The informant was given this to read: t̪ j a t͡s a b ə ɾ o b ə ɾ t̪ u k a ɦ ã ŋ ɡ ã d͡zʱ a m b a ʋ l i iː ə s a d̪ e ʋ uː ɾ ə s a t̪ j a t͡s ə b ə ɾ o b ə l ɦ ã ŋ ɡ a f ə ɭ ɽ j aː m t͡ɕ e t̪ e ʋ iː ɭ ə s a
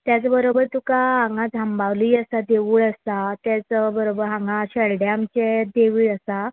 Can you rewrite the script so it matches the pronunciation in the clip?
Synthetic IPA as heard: t̪ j a t͡s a b ə ɾ o b ə ɾ t̪ u k a ɦ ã ŋ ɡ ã d͡zʱ a m b a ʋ l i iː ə s a d̪ e ʋ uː ɭ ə s a t̪ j a t͡s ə b ə ɾ o b ə ɾ ɦ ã ŋ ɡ a ɕ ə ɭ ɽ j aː m t͡ɕ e d̪ e ʋ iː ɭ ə s a